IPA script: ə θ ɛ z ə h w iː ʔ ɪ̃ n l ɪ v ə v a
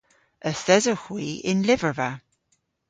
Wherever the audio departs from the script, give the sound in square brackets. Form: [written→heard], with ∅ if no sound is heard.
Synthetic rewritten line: ə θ ɛ z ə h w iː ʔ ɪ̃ n l ɪ v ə v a